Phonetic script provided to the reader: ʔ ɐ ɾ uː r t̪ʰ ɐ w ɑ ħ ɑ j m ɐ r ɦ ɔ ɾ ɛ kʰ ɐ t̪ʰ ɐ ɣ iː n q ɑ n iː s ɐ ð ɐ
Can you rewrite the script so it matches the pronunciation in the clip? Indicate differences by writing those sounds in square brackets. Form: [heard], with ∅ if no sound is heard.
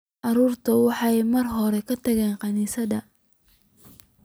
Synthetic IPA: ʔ [ɑ] ɾ uː r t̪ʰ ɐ w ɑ ħ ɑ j m ɐ r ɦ ɔ ɾ ɛ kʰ ɐ t̪ʰ ɐ ɣ [ɛː] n q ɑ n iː s ɐ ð ɐ